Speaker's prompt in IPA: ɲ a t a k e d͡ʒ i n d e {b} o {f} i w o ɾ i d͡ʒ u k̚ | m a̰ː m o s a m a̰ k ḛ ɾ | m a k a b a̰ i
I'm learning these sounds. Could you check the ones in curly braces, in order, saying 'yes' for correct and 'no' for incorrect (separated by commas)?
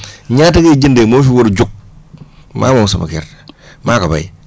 no, yes